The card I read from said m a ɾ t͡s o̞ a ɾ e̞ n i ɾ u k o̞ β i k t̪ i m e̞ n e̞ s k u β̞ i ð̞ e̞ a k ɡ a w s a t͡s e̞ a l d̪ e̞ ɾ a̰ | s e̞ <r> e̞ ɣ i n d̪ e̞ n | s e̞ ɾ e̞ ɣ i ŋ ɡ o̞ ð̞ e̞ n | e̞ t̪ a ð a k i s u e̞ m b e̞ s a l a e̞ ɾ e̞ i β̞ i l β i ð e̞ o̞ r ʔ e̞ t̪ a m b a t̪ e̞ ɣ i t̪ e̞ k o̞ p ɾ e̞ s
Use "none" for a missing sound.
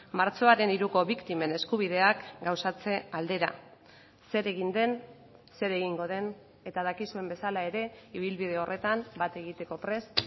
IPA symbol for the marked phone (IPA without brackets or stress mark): ɾ